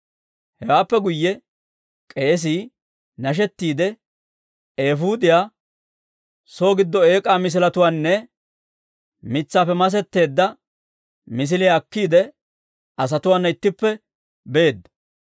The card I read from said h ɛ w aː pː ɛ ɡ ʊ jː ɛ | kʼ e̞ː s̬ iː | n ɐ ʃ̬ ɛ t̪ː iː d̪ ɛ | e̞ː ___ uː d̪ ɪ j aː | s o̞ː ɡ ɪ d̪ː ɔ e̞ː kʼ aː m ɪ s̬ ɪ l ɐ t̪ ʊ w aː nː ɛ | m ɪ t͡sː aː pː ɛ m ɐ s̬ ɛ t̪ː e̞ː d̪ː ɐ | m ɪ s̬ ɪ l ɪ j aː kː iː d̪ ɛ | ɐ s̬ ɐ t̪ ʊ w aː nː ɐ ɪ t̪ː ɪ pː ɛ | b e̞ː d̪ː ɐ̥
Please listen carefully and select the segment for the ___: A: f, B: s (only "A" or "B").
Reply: A